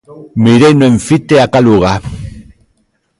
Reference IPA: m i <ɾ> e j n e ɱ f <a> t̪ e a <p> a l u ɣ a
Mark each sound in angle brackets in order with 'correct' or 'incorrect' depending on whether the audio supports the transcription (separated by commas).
correct, incorrect, incorrect